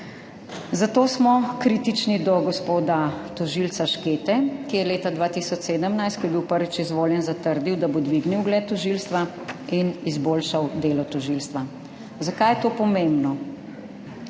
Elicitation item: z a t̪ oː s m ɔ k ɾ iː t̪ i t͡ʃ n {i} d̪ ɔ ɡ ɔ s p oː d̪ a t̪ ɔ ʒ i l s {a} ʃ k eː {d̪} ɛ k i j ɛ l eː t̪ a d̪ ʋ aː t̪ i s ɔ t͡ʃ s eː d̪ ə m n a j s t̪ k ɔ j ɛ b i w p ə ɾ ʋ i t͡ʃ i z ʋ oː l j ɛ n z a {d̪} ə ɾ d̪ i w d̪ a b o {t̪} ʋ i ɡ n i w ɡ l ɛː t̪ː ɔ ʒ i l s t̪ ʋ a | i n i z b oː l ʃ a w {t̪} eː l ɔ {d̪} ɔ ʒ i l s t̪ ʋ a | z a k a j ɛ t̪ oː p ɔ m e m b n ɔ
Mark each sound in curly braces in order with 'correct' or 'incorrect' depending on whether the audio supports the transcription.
correct, correct, incorrect: t̪, incorrect: t̪, incorrect: d̪, incorrect: d̪, incorrect: t̪

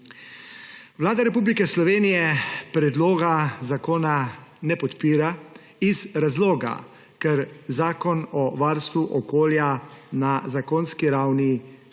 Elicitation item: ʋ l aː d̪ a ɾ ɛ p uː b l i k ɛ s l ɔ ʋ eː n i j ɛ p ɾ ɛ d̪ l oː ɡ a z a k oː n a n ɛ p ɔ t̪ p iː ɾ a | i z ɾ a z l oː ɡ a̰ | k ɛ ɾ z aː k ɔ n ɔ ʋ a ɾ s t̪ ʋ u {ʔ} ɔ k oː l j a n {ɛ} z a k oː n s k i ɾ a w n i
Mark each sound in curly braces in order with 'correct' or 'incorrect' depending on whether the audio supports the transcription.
correct, incorrect: a

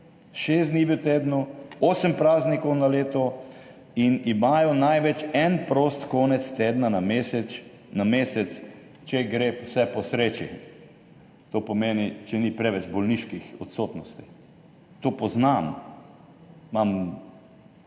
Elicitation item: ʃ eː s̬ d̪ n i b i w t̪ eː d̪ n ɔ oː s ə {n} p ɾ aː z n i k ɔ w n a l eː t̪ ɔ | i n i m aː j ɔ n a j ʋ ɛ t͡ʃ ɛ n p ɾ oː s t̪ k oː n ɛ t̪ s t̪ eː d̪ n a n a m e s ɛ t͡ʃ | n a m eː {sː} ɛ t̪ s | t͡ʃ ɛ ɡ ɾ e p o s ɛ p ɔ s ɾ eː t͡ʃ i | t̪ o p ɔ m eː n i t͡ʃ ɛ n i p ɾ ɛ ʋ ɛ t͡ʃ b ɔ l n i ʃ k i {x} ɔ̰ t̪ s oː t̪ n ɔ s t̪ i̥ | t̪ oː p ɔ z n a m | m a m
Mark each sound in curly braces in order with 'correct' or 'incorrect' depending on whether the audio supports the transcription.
incorrect: m, incorrect: s, correct

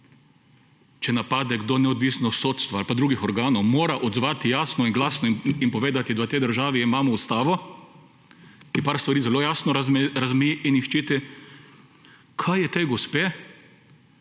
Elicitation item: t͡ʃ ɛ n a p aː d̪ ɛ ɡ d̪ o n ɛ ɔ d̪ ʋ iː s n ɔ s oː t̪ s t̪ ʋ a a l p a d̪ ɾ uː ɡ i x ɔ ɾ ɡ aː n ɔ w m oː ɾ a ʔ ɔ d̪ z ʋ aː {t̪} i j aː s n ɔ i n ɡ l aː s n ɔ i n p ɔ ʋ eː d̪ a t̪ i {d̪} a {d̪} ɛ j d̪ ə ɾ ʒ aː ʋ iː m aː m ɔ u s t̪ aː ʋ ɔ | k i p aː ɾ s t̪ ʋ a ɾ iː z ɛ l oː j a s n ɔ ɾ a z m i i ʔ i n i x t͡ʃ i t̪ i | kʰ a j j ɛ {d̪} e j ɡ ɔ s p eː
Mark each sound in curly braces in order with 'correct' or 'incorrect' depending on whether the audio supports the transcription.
correct, correct, incorrect: t̪, incorrect: t̪

